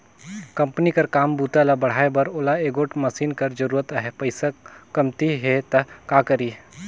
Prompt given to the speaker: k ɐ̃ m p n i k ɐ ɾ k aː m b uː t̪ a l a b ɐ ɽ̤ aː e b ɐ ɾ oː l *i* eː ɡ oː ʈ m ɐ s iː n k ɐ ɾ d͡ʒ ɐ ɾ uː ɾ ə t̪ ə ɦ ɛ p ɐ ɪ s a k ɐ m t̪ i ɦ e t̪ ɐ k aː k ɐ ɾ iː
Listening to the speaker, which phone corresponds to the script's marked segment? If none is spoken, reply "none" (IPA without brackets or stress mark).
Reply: a